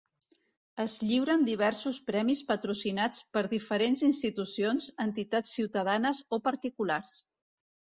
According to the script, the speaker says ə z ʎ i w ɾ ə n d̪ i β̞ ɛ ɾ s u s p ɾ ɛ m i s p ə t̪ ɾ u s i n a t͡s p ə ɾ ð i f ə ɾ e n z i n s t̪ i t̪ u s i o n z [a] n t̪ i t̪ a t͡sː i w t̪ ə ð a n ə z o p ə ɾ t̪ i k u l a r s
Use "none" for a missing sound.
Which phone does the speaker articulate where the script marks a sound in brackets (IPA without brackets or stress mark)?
ə